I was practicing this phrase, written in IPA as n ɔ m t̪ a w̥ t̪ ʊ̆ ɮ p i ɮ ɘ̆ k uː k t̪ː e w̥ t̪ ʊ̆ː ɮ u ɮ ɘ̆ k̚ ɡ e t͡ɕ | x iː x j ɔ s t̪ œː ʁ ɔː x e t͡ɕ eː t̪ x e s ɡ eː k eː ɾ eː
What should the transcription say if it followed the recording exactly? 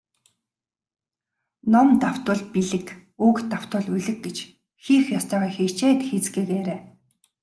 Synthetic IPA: n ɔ m t̪ a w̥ t̪ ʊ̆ ɮ p i ɮ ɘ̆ k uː k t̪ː a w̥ t̪ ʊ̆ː ɮ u ɮ ɘ̆ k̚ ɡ e t͡ɕ | x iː x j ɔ s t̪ œː ʁ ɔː x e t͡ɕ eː t̪ x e t͡s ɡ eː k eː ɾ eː